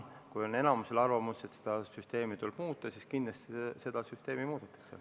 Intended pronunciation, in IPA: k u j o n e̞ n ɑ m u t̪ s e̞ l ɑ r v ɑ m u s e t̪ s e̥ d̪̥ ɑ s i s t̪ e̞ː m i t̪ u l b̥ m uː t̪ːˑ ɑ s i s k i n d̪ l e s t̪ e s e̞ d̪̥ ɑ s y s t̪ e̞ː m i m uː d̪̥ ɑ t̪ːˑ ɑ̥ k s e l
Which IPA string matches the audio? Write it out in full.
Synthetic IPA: k u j o n e̞ n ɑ m u s e̞ l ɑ r v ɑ m u s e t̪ s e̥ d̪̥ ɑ s y s t̪ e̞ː m i t̪ u l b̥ m uː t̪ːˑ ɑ s i s k i n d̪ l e s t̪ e s e̞ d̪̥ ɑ s y s t̪ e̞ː m i m uː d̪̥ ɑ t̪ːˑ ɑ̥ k s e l